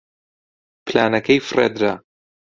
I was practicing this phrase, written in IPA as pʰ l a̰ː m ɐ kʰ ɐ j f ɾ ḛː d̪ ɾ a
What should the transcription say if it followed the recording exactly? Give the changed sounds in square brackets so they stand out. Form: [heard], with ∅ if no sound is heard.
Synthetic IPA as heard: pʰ l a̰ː [n] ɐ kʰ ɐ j f [r] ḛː d̪ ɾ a